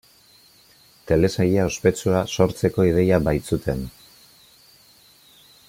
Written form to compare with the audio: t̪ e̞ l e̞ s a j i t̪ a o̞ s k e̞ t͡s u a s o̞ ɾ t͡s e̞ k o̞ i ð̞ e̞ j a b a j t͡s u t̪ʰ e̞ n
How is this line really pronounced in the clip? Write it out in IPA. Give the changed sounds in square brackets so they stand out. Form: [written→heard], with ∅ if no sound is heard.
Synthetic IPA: t̪ e̞ l e̞ s a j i [t̪→∅] a o̞ s [k→p] e̞ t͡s u a s o̞ ɾ t͡s e̞ k o̞ i ð̞ e̞ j a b a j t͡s u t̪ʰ e̞ n